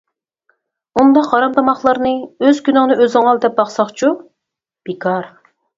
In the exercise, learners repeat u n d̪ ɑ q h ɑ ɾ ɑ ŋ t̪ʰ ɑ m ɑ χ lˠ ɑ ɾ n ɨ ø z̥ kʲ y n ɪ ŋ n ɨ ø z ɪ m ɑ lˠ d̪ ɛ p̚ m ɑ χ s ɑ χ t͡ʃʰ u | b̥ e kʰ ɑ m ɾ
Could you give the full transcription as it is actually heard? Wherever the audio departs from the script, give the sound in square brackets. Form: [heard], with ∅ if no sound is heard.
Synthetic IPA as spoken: u n d̪ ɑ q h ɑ ɾ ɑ [m] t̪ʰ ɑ m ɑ χ lˠ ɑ ɾ n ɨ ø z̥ kʲ y n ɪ ŋ n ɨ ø z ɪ [ŋ] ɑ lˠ d̪ ɛ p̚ [b] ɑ χ s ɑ χ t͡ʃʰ u | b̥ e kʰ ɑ [∅] ɾ